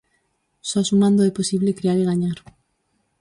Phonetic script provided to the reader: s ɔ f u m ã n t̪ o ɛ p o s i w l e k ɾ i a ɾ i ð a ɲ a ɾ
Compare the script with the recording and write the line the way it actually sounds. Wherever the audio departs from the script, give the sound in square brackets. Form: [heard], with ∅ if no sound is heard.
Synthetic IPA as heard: s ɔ [s] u m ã n [d̪] o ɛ p o s i [β] l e k ɾ i a ɾ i [ɣ] a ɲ a ɾ